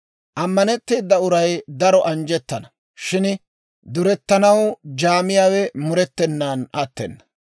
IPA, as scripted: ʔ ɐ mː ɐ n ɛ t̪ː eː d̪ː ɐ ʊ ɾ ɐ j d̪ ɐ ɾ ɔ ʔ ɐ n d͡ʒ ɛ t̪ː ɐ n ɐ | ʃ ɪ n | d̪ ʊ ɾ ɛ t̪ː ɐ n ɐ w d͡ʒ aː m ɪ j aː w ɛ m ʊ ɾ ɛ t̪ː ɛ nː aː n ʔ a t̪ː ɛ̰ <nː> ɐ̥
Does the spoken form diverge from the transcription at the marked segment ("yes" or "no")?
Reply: no